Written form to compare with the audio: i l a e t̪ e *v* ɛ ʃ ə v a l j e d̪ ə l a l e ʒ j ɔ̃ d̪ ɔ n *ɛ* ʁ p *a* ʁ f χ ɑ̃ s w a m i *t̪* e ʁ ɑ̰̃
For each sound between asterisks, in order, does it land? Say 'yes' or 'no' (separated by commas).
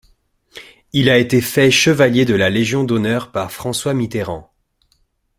no, no, yes, yes